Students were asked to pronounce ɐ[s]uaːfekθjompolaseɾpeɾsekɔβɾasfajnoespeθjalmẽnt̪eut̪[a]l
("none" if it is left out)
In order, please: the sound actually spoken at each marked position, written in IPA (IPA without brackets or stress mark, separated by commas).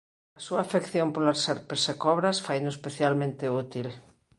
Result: s, i